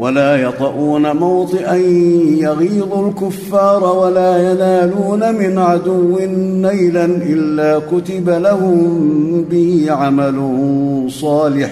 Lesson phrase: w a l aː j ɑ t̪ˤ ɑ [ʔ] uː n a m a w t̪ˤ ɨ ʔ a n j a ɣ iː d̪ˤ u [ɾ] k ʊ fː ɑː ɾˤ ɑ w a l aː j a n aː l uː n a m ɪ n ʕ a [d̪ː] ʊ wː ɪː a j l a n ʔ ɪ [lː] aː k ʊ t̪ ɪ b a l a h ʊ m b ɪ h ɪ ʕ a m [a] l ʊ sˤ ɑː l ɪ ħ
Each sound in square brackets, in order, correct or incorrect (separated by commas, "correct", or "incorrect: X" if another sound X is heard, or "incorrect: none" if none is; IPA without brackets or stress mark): correct, incorrect: l, incorrect: d̪, correct, correct